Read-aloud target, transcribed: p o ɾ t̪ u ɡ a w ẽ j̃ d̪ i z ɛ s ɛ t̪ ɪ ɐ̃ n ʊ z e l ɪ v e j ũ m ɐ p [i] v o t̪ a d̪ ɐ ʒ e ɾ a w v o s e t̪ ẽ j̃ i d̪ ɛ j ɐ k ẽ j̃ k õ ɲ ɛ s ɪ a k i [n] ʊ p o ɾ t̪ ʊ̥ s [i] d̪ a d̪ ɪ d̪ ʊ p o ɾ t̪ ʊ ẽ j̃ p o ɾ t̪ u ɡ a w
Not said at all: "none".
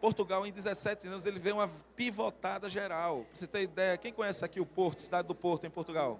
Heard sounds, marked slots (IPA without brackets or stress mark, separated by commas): i, none, i